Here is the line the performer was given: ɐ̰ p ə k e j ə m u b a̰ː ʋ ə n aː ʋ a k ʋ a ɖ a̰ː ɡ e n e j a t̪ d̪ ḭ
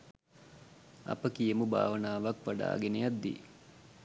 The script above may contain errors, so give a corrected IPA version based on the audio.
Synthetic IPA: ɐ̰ p ə k i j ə m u b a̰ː ʋ ə n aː ʋ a k ʋ a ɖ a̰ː ɡ e n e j a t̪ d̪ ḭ